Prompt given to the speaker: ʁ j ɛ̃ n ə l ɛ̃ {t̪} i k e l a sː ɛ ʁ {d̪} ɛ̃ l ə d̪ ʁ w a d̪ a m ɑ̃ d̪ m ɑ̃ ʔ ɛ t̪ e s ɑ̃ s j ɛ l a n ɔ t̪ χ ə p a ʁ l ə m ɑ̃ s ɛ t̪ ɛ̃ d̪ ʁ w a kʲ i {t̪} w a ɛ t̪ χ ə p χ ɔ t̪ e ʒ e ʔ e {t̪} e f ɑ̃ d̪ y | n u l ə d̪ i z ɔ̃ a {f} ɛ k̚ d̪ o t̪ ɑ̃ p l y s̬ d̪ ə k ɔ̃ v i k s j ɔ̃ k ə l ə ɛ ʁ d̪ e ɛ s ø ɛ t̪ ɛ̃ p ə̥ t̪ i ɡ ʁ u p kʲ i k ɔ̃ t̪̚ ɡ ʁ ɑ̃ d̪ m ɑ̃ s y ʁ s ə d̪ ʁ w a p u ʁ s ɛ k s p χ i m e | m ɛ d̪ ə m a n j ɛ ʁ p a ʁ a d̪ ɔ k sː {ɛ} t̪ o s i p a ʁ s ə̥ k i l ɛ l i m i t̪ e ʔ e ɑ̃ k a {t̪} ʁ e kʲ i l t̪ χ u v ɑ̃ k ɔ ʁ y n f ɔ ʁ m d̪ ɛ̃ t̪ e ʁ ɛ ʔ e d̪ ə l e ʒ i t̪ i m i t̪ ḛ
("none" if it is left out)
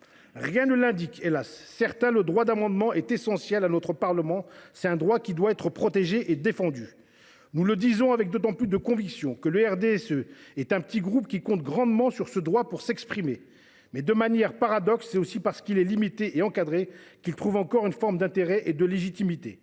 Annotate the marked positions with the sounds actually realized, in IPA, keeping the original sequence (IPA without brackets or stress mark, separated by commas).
d̪, t̪, d̪, d̪, v, ɛ, d̪